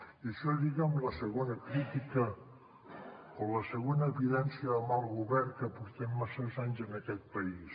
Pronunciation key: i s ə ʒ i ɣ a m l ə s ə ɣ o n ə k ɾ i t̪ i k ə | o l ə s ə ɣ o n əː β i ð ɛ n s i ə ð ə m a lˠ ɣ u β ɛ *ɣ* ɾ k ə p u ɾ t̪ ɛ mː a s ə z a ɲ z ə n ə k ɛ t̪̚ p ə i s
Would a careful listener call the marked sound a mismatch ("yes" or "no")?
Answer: yes